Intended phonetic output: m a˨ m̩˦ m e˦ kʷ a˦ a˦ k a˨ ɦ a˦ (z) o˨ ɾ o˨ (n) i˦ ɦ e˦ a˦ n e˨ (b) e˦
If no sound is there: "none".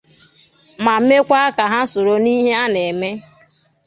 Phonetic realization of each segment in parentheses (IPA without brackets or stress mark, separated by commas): s, n, m